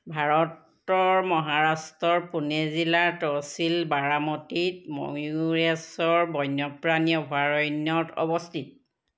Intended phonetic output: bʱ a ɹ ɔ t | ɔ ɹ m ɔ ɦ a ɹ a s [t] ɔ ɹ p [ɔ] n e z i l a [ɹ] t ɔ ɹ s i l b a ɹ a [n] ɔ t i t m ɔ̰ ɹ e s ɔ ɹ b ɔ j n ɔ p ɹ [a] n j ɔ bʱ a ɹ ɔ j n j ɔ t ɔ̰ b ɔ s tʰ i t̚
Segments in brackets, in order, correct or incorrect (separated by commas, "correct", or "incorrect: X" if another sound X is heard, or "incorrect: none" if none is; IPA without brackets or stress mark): correct, incorrect: u, correct, incorrect: m, correct